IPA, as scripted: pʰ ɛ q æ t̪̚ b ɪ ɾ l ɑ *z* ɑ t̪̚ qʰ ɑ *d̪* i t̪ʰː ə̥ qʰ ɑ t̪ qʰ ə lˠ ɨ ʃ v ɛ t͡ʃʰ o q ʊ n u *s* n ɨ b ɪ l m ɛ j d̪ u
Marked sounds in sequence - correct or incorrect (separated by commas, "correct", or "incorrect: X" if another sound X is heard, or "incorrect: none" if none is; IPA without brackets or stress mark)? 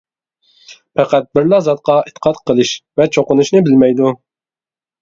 correct, incorrect: none, incorrect: ʃ